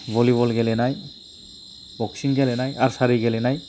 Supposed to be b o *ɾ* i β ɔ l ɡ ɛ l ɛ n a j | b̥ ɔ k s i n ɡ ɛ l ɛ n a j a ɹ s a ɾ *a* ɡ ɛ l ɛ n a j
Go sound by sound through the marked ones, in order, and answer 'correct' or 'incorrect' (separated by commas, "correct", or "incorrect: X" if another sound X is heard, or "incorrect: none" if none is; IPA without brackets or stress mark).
incorrect: l, incorrect: i